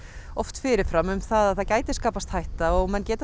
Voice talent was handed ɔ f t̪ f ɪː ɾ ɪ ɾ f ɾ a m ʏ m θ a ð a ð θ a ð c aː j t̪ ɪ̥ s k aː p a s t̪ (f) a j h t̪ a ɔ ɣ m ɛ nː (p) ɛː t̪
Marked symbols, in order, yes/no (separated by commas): no, no